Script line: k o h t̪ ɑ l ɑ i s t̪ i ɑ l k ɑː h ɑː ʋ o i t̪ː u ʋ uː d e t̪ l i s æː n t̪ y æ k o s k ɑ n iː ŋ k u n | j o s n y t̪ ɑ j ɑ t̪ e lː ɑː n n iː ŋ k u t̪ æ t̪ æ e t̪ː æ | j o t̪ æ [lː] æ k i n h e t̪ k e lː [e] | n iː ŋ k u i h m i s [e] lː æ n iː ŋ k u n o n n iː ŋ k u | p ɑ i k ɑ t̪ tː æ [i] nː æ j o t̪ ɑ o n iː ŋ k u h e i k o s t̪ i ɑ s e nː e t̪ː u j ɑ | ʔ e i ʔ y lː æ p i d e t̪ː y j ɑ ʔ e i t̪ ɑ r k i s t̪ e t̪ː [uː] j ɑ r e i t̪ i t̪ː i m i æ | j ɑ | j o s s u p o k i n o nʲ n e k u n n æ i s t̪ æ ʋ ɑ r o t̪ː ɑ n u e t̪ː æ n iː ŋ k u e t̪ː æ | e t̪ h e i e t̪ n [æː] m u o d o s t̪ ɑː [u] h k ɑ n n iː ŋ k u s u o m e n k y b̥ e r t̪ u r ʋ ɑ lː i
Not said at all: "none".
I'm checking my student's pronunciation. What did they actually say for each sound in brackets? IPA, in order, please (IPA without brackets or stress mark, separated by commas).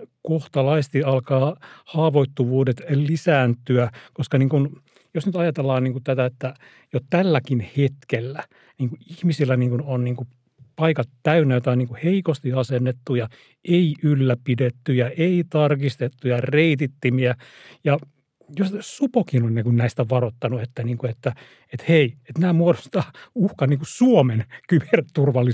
lː, æ, i, y, u, æː, u